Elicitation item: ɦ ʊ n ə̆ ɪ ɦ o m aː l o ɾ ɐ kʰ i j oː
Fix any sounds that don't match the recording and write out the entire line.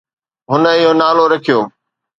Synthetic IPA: ɦ ʊ n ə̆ ɪ ɦ o n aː l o ɾ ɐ kʰ i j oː